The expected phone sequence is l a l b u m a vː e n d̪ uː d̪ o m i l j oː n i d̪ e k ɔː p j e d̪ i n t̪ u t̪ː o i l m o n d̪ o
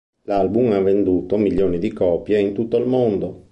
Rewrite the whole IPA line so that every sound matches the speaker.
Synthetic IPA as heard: l a l b u m a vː e n d̪ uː t̪ o m i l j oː n i d̪ i k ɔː p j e i n t̪ u t̪ː o i l m o n d̪ o